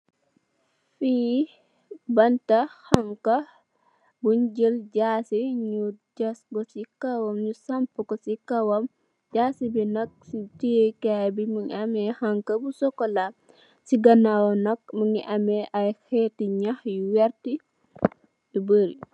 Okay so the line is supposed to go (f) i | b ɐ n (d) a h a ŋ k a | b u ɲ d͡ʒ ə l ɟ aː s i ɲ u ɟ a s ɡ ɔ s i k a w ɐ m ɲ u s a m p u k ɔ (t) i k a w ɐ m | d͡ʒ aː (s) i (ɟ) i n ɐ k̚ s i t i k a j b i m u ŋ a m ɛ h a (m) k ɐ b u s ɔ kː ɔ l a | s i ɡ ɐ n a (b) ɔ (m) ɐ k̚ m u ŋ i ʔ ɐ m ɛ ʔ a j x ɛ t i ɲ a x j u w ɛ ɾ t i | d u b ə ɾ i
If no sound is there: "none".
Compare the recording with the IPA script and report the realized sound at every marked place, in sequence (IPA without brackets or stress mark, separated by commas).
f, t, s, s, b, ŋ, w, n